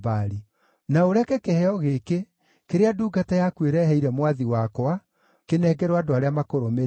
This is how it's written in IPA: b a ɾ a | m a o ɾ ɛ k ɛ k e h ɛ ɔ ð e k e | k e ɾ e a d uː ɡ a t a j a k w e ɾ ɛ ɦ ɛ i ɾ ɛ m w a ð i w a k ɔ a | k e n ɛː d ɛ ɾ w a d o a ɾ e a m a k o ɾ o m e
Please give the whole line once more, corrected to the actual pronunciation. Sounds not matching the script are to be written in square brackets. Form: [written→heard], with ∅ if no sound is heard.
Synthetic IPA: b a ɾ [a→i] | [m→n] a o ɾ ɛ k ɛ k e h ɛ ɔ [ð→ɣ] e k e | k e ɾ e a d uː ɡ a t a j a k w e ɾ ɛ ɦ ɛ i ɾ ɛ m w a ð i w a k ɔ a | k e n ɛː [d→ɡ] ɛ ɾ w a d o a ɾ e a m a k o ɾ o m e

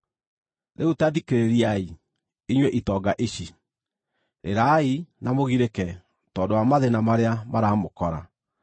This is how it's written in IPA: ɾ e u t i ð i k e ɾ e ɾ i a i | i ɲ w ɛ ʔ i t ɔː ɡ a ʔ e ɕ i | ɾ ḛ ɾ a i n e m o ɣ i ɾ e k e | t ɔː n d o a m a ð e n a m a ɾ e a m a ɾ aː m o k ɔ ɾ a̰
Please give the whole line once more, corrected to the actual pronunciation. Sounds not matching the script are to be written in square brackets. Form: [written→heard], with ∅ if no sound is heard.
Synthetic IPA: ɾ e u t [i→a] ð i k e ɾ e ɾ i a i | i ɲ w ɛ ʔ i t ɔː ɡ a ʔ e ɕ i | ɾ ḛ ɾ a i n [e→a] m o ɣ i ɾ e k [e→ɛ] | t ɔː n d o a m a ð e n a m a ɾ e a m a ɾ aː m o k ɔ ɾ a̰

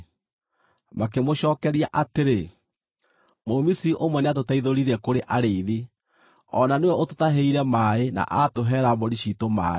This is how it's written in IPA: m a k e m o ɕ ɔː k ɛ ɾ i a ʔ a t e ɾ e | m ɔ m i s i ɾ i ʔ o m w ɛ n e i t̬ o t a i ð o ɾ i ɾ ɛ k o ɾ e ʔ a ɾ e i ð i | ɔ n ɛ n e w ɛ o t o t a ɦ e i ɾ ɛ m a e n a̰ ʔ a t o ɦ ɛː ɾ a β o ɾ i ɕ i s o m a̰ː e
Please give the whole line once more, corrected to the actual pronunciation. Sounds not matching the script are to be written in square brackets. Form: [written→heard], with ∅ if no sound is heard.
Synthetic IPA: m a k e m o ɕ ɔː k ɛ ɾ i a ʔ a t e ɾ e | m [ɔ→o] m i s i ɾ i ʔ o m w ɛ n e [i→a] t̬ o t a i ð o ɾ i ɾ ɛ k o ɾ e ʔ a ɾ e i ð i | ɔ n [ɛ→a] n e w ɛ o t o t a ɦ e i ɾ ɛ m a e n a̰ ʔ a t o ɦ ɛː ɾ a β o ɾ i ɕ i [s→t] o m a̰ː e

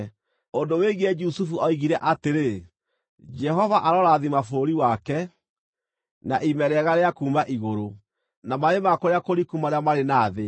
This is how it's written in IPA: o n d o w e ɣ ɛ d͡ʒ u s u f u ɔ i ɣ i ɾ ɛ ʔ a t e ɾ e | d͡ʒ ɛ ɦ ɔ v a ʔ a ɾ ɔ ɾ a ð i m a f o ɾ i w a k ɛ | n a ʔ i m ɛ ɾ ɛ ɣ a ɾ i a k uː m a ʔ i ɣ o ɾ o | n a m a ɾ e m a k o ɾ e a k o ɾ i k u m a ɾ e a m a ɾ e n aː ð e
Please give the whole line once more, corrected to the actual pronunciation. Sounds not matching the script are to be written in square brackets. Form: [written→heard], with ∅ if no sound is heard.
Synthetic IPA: o n d o w e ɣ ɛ d͡ʒ u s u f u ɔ i ɣ i ɾ ɛ ʔ a t e ɾ e | d͡ʒ ɛ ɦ ɔ v a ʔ a ɾ ɔ ɾ a ð i m a f o ɾ i w a k ɛ | n a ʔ i m ɛ ɾ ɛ ɣ a ɾ [i→e] a k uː m a ʔ i ɣ o ɾ o | n a m a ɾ e m a k o ɾ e a k o ɾ i k u m a ɾ e a m a ɾ e n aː ð e

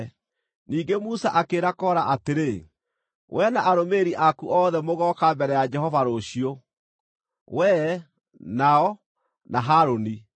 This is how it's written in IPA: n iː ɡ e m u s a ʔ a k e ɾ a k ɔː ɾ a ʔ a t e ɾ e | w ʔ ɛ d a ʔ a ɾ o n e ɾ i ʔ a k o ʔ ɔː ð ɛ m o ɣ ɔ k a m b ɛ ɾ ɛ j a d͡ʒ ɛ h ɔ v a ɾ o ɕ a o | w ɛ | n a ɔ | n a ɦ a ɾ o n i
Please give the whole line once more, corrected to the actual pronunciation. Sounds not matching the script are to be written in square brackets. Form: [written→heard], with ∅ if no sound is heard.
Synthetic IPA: n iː ɡ e m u s a ʔ a k e ɾ a k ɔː ɾ a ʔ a t e ɾ e | w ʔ ɛ [d→n] a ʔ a ɾ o [n→m] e ɾ i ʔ a k [o→u] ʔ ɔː ð ɛ m o ɣ ɔ k a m b ɛ ɾ ɛ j a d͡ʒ ɛ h ɔ v a ɾ o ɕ [a→i] o | w ɛ | n a ɔ | n a ɦ a ɾ o n i

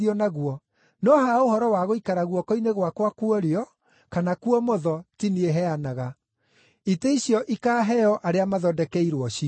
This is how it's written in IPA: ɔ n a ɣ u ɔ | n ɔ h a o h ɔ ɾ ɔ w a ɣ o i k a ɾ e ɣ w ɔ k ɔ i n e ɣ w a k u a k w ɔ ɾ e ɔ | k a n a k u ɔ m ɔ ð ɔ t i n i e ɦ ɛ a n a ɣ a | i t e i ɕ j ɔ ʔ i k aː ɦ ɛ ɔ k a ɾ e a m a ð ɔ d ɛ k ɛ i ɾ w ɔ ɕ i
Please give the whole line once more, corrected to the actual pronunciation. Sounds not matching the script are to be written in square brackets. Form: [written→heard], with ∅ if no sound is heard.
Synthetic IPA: ɔ n a ɣ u ɔ | n ɔ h a o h ɔ ɾ ɔ w a ɣ o i k a ɾ [e→a] ɣ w ɔ k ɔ i n e ɣ w a k [u→w] a k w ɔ ɾ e ɔ | k a n a k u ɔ m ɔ ð ɔ t i n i e ɦ ɛ a n a ɣ a | i t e i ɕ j ɔ ʔ i k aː ɦ ɛ ɔ [k→ʔ] a ɾ e a m a ð ɔ d ɛ k ɛ i ɾ w ɔ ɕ i

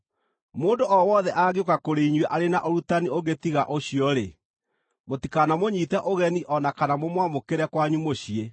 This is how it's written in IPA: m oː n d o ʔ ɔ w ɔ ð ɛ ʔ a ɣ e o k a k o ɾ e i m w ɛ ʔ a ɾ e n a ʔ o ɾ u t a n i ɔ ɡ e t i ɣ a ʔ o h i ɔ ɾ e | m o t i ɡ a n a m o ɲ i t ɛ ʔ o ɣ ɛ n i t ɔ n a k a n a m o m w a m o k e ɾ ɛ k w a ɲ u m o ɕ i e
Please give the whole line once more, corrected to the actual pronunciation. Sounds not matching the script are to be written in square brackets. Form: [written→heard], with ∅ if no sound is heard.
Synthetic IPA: m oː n d o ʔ ɔ w ɔ ð ɛ ʔ a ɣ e o k a k o ɾ e i [m→ɲ] w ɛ ʔ a ɾ e n a ʔ o ɾ u t a n i [ɔ→o] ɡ e t i ɣ a ʔ o [h→ɕ] i ɔ ɾ e | m o t i [ɡ→k] a n a m o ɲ i t ɛ ʔ o ɣ ɛ n i [t→ʔ] ɔ n a k a n a m o m w a m o k e ɾ ɛ k w a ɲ u m o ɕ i e

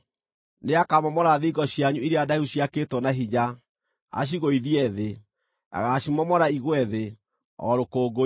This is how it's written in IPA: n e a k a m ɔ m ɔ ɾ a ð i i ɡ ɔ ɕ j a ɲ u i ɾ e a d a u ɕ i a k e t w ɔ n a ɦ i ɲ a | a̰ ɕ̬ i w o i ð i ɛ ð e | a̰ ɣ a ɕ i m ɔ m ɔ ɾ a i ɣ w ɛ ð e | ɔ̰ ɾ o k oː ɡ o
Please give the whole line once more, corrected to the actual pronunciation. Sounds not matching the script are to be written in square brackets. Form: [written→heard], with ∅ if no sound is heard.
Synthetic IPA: n e a k a m ɔ m ɔ ɾ a ð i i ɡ ɔ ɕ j a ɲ u i ɾ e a d a u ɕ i a k e t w ɔ n a ɦ i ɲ a | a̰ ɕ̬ i [w→ɣ] o i ð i ɛ ð e | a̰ ɣ a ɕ i m ɔ m ɔ ɾ a i ɣ w ɛ ð e | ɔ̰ ɾ o k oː ɡ o

